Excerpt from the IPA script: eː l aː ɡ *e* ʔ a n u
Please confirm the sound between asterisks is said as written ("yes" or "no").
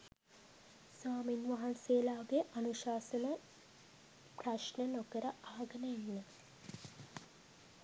yes